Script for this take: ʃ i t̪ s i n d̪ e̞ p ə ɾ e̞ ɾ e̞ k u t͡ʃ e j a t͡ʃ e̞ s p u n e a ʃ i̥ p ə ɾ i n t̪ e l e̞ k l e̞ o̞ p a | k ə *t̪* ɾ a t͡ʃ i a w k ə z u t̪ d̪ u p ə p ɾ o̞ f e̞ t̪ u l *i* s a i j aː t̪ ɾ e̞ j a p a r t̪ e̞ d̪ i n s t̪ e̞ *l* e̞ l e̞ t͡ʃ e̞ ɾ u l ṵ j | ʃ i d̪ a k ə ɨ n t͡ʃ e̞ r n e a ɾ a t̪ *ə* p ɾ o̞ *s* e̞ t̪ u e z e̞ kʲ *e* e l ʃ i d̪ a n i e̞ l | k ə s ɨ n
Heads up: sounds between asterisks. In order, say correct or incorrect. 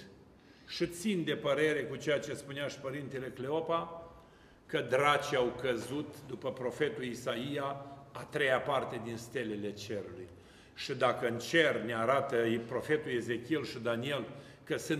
incorrect: d̪, correct, correct, correct, incorrect: f, incorrect: i

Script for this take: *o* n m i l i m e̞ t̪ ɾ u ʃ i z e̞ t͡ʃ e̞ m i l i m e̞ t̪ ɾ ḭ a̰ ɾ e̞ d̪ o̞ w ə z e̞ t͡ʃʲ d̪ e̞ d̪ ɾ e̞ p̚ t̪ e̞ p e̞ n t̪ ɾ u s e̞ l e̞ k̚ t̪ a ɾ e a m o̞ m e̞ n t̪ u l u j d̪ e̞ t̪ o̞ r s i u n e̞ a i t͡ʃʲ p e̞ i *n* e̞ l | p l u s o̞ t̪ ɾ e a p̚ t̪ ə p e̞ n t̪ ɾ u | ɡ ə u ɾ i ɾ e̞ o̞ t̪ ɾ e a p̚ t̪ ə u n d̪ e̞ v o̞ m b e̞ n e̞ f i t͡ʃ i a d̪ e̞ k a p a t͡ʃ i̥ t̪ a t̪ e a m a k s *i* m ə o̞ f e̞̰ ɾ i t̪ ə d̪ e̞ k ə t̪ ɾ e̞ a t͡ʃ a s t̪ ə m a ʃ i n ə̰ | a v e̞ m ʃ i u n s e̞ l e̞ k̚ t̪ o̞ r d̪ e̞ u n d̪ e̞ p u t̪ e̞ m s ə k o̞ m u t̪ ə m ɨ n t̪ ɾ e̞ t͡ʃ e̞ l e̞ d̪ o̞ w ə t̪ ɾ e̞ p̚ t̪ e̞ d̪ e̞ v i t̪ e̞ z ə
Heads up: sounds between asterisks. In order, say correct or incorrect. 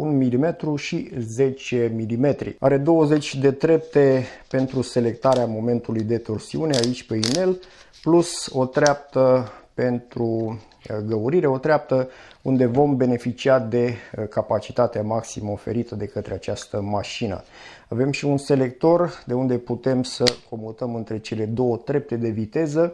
incorrect: u, correct, correct

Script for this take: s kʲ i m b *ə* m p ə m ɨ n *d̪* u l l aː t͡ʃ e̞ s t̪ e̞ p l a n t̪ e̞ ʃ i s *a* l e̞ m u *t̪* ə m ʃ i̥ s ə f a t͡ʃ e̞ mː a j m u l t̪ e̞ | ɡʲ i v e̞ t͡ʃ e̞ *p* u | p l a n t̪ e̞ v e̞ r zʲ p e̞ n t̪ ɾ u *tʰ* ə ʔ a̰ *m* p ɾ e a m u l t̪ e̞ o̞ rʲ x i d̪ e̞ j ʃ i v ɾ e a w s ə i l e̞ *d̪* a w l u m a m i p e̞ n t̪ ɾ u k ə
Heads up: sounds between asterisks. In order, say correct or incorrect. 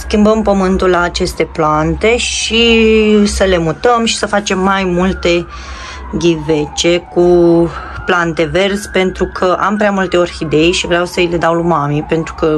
correct, incorrect: t̪, incorrect: ə, correct, incorrect: k, incorrect: kʰ, correct, correct

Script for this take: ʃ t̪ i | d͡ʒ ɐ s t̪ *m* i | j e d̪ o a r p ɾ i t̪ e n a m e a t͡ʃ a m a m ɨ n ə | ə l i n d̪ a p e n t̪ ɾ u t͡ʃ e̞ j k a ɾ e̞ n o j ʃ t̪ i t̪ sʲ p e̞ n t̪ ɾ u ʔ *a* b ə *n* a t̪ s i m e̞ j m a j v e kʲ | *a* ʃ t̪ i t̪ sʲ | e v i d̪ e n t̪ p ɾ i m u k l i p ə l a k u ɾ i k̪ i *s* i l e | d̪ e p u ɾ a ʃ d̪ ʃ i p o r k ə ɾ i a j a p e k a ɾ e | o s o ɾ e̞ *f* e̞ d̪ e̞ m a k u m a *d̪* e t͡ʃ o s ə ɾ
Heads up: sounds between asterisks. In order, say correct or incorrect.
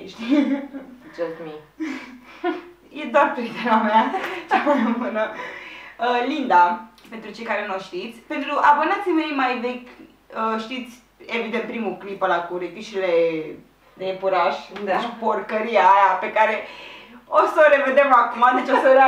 correct, correct, correct, incorrect: ə, incorrect: ʃ, incorrect: v, correct

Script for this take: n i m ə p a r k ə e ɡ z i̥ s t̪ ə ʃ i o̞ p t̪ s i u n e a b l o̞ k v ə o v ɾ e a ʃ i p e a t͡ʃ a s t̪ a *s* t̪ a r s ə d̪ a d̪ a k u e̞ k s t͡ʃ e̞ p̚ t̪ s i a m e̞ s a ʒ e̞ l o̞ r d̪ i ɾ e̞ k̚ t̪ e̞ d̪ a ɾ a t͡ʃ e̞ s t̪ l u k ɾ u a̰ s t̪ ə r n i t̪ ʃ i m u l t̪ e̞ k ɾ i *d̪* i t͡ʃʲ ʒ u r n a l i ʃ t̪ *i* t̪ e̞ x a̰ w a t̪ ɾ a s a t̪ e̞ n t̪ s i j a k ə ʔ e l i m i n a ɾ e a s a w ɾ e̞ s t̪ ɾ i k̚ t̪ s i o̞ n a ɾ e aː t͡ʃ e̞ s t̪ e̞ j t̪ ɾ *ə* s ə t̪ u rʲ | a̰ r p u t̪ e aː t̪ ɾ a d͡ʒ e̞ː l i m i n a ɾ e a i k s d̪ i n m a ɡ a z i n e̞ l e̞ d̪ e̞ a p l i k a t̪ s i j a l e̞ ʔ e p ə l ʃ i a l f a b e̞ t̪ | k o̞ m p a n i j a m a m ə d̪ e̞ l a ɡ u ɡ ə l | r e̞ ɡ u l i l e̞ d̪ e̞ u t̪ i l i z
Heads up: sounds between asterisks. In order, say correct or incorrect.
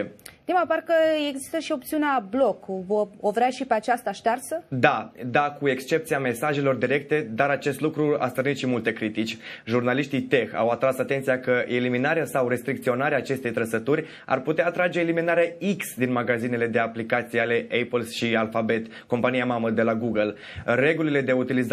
incorrect: ʃ, incorrect: t̪, correct, correct

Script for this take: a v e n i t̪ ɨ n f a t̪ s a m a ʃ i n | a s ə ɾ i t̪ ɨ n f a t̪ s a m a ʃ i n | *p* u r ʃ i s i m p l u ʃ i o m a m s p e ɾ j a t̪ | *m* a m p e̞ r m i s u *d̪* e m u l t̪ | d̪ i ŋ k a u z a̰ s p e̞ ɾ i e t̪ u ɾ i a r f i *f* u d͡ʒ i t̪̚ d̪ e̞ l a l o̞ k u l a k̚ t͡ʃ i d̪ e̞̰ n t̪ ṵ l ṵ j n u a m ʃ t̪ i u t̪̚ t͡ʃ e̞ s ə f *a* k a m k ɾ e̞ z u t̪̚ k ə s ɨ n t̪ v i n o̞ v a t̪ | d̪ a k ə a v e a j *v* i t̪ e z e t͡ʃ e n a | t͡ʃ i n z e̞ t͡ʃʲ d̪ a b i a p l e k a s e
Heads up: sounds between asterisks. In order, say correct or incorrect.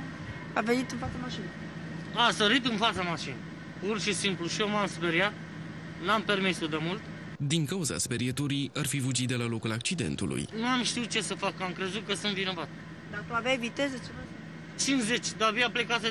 correct, incorrect: n, correct, incorrect: v, correct, correct

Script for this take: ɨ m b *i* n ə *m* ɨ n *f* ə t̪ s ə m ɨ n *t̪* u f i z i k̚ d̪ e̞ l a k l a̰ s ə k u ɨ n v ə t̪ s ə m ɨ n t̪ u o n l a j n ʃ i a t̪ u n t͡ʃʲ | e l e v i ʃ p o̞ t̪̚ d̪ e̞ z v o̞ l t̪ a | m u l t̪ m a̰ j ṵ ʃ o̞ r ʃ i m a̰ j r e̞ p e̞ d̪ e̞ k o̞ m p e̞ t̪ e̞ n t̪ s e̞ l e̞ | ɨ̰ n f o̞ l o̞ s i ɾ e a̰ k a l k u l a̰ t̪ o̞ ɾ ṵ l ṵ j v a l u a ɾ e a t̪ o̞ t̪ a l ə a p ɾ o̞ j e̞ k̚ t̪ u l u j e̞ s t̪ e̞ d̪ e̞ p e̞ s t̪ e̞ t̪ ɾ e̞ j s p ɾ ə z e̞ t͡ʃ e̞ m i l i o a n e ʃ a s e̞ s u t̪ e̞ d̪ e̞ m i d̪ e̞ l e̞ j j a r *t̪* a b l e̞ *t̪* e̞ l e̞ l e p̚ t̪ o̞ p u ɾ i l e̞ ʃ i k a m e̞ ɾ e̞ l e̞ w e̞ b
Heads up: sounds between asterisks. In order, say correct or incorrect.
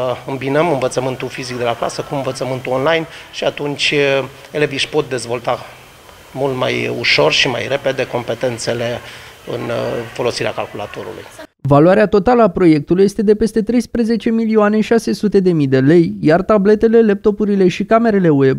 correct, correct, incorrect: v, correct, correct, correct

